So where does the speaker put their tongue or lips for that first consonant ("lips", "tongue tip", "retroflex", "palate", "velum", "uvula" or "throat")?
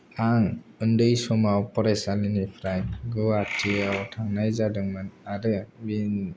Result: velum